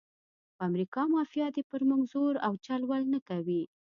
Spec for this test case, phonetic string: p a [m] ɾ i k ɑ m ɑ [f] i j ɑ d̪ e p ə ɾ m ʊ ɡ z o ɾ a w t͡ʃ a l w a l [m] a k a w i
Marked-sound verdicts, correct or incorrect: correct, correct, incorrect

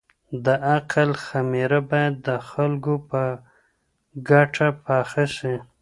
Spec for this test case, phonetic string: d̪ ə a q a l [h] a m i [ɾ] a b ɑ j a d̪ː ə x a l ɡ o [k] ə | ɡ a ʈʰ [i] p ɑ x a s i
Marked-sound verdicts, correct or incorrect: incorrect, correct, incorrect, incorrect

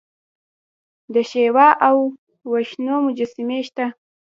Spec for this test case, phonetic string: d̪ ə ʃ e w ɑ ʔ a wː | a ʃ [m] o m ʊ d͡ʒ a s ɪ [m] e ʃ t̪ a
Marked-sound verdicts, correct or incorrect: incorrect, correct

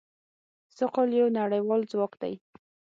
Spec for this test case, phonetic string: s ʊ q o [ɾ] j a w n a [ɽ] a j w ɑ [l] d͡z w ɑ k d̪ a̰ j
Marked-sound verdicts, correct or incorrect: incorrect, correct, correct

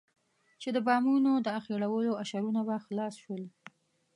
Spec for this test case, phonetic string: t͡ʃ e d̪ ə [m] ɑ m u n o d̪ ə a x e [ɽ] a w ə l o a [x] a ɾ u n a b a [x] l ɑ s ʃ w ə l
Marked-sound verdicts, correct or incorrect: incorrect, correct, incorrect, correct

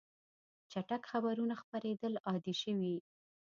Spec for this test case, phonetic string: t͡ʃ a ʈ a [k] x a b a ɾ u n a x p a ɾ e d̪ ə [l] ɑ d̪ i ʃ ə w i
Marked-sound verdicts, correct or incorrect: correct, correct

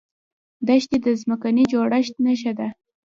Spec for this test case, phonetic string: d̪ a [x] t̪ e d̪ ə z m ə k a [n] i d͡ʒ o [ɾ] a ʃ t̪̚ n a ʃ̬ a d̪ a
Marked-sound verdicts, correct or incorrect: incorrect, correct, incorrect

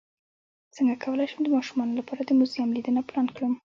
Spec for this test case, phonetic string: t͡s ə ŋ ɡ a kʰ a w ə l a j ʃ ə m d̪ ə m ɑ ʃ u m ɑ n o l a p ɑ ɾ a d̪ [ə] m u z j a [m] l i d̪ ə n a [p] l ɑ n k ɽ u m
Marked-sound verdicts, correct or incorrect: correct, correct, correct

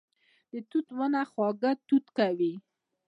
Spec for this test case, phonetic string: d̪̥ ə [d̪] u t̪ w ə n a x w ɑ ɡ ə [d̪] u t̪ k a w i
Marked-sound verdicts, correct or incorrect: incorrect, incorrect

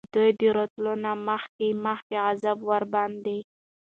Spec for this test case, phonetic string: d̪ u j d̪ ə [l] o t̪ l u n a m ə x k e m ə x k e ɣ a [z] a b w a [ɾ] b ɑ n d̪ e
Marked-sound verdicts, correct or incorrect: incorrect, correct, correct

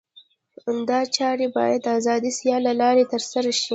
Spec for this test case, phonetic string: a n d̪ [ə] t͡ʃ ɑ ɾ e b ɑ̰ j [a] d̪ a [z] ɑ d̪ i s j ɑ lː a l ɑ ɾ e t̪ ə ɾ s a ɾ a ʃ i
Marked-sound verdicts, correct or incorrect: incorrect, correct, correct

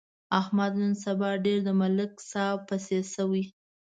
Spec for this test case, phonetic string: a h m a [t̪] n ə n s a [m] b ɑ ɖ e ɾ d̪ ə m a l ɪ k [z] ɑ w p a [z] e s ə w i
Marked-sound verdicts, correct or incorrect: incorrect, incorrect, incorrect, incorrect

